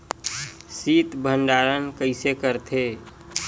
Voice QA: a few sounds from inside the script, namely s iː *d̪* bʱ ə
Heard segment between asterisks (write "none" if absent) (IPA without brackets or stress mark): t̪